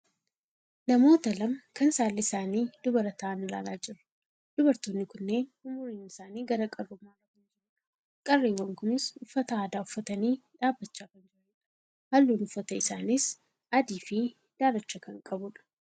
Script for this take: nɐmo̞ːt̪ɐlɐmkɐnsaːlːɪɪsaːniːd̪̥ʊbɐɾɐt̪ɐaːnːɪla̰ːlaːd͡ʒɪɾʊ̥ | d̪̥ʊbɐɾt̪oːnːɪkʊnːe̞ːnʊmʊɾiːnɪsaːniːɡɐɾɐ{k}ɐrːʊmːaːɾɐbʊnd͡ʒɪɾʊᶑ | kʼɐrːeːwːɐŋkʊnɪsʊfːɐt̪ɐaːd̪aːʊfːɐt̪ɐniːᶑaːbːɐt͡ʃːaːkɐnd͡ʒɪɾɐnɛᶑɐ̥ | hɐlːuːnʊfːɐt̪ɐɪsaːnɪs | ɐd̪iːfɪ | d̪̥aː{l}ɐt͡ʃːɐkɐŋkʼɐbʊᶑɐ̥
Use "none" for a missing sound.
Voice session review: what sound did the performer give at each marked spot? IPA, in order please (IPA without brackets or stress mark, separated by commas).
kʼ, ɾ